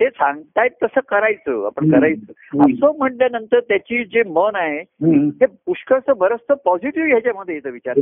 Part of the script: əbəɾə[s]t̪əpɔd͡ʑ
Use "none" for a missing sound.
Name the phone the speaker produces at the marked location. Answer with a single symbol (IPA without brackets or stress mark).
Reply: s